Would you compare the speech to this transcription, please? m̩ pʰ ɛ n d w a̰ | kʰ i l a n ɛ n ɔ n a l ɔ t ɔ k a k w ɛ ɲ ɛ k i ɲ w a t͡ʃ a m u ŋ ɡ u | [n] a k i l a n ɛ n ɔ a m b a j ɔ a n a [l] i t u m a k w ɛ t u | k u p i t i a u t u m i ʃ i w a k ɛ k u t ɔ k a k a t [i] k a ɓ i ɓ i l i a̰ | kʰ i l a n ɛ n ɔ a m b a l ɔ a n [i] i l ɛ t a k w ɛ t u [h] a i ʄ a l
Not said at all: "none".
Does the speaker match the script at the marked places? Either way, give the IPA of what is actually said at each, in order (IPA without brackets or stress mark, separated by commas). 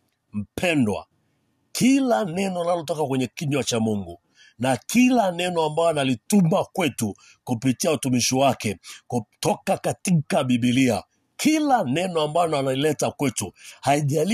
n, l, i, a, h